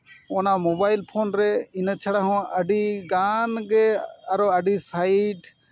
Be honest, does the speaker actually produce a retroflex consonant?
yes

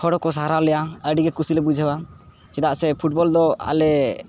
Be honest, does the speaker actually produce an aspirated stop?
yes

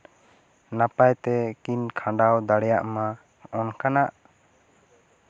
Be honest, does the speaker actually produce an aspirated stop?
yes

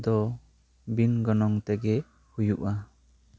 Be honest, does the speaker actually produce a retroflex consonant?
no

